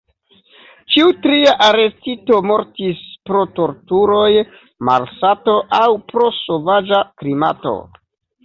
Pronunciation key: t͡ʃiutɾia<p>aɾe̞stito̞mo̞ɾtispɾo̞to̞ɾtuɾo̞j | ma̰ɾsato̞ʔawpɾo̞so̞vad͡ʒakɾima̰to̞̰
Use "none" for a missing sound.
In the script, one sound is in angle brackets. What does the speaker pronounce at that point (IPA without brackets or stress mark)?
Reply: ʔ